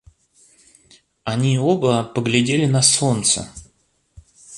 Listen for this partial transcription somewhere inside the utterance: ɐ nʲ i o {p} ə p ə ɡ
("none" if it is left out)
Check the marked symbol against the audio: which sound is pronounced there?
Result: b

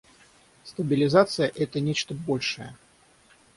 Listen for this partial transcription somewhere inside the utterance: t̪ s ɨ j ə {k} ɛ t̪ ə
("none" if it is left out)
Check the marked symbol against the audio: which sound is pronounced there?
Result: ʔ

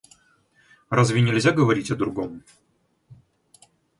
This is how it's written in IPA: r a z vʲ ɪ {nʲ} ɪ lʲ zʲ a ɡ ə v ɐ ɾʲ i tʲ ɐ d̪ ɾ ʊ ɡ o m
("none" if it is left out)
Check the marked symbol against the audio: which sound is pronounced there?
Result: nʲ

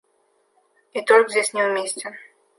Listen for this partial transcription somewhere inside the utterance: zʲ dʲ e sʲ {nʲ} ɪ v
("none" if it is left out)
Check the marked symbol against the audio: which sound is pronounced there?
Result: nʲ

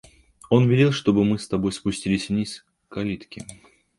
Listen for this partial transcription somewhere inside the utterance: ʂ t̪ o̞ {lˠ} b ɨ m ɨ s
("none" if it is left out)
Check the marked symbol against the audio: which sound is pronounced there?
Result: none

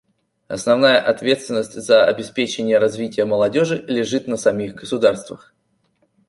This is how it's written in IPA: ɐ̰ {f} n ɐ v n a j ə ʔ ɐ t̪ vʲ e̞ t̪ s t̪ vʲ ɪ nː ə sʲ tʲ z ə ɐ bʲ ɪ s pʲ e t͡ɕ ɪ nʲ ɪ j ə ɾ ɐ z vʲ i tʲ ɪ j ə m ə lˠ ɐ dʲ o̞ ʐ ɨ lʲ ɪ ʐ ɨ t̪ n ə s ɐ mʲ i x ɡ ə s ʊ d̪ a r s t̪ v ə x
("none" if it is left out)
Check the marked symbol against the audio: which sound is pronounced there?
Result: s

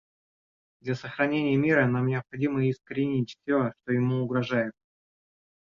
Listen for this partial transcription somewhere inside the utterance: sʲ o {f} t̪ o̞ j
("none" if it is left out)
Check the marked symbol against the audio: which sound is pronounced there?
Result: ʂ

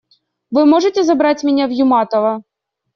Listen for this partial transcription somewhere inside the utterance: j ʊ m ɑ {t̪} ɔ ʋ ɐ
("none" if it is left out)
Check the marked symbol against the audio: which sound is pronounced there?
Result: t̪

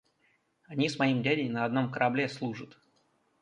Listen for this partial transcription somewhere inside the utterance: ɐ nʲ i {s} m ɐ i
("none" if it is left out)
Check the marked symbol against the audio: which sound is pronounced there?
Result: s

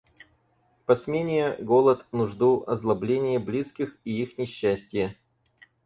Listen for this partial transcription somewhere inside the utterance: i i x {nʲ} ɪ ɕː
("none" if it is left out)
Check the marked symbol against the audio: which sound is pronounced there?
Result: nʲ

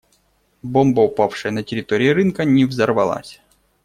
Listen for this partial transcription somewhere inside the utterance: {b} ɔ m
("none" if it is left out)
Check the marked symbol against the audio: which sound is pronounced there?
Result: b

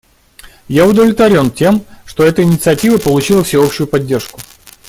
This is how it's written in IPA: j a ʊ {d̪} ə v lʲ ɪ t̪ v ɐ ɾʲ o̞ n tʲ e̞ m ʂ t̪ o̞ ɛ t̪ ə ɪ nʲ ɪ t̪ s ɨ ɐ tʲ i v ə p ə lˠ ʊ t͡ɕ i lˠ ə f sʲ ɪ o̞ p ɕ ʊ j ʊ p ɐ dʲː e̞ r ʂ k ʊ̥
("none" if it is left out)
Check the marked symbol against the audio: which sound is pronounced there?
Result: d̪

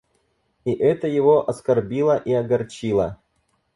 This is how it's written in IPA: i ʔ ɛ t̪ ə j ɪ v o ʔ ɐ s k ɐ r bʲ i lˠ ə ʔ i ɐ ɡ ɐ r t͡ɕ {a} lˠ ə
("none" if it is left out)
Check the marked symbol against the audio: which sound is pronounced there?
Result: i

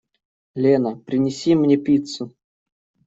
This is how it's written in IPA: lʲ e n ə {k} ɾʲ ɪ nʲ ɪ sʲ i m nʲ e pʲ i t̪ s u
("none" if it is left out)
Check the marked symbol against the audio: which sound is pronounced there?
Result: p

